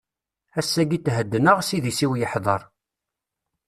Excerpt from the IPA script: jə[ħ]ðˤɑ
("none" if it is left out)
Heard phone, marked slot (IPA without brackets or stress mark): ħ